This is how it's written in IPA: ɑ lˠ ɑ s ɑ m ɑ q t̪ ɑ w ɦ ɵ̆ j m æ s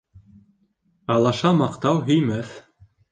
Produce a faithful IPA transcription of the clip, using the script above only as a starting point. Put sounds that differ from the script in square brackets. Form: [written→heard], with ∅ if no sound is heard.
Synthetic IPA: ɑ lˠ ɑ [s→ʃ] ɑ m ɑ q t̪ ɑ w ɦ ɵ̆ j m æ [s→θ]